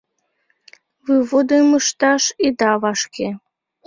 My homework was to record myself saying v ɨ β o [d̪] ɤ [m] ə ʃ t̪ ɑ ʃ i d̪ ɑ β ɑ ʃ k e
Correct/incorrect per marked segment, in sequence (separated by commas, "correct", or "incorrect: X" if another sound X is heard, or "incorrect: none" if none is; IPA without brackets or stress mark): correct, correct